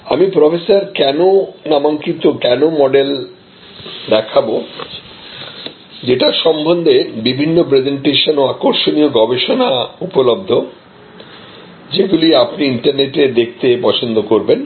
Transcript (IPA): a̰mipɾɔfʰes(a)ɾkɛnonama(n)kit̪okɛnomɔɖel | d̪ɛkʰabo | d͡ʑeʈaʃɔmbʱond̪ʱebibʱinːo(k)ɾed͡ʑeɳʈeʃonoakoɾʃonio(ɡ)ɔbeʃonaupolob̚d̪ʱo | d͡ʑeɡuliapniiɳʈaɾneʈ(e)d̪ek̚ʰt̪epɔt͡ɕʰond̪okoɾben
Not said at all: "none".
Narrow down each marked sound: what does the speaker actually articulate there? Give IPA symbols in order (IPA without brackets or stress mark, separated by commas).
a, ŋ, p, ɡ, e